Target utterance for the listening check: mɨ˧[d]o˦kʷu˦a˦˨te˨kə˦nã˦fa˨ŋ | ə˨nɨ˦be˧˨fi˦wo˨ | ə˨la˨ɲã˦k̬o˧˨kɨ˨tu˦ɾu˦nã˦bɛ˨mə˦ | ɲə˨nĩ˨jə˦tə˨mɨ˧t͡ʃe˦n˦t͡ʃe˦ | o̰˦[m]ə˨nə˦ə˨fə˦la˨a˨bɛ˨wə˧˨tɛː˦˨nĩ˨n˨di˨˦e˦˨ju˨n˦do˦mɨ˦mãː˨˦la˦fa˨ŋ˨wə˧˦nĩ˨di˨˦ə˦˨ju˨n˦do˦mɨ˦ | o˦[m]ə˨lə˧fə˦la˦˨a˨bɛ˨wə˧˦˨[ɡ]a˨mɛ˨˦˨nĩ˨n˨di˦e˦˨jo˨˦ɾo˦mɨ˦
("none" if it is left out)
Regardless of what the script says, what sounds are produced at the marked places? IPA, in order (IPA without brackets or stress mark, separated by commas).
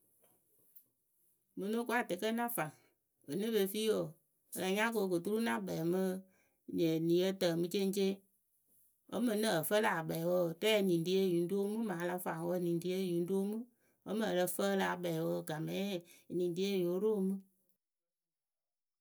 n, m, m, ɡ